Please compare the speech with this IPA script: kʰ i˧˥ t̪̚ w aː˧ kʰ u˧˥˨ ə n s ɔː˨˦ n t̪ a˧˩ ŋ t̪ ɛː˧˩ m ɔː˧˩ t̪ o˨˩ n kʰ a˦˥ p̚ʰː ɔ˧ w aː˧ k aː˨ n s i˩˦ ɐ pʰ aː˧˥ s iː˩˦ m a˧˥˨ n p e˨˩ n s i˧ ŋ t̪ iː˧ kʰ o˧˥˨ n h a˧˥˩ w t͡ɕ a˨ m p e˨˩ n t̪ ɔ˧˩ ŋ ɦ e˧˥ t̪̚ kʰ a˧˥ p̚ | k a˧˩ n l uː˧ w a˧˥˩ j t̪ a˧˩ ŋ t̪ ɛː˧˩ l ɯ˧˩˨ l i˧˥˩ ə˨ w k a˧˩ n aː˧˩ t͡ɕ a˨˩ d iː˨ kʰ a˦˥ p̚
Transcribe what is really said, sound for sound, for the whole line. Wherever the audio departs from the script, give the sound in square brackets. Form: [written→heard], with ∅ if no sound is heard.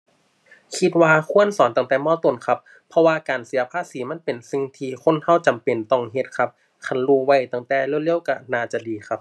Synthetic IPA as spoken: kʰ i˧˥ t̪̚ w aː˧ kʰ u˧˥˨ ə n s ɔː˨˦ n t̪ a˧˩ ŋ t̪ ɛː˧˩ m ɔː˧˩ t̪ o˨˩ n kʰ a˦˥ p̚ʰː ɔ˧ w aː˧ k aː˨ n s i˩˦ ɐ pʰ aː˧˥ s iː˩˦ m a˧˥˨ n p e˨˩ n s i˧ ŋ [t̪→t̪ʰ] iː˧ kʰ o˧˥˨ n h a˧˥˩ w t͡ɕ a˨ m p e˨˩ n t̪ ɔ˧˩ ŋ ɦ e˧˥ t̪̚ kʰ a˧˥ p̚ | [k→kʰ] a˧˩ n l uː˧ w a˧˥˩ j t̪ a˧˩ ŋ t̪ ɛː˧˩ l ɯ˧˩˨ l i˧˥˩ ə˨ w k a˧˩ n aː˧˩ t͡ɕ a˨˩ d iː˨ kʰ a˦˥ p̚